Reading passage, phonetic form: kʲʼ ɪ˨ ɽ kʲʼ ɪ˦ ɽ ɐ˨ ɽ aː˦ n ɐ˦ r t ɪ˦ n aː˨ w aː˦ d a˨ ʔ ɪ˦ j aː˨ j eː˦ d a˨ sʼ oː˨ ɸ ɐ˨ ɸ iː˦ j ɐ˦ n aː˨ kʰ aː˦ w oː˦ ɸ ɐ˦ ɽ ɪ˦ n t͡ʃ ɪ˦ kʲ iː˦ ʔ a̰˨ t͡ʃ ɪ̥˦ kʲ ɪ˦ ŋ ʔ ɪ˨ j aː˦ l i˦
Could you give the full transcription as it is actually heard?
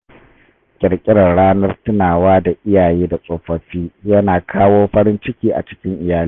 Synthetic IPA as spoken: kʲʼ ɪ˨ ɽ kʲʼ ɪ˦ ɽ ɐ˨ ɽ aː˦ n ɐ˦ r t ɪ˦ n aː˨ w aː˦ d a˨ ʔ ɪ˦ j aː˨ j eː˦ d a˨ sʼ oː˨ ɸ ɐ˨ ɸ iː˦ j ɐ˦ n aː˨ kʰ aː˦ w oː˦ ɸ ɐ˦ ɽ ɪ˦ n t͡ʃ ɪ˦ kʲ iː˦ ʔ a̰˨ t͡ʃ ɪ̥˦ kʲ ɪ˦ ŋ ʔ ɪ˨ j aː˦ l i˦